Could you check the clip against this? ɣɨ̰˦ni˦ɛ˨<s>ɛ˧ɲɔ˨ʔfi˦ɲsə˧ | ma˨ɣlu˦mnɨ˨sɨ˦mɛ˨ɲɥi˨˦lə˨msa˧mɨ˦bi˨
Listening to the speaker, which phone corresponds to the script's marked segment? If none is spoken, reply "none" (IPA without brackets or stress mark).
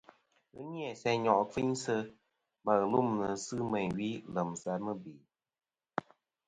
s